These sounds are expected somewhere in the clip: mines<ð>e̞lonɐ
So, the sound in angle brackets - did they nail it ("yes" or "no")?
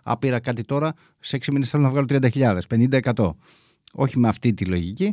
no